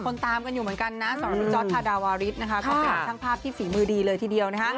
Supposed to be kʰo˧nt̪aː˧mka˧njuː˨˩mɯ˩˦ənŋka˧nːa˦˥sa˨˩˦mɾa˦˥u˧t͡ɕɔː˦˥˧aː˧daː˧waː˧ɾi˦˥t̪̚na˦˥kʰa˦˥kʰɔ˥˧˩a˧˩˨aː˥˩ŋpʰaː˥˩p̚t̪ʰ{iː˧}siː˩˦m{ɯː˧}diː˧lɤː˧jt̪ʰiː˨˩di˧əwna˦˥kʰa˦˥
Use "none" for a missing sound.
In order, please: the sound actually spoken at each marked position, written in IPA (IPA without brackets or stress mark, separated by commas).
iː˥˩, ɯː˧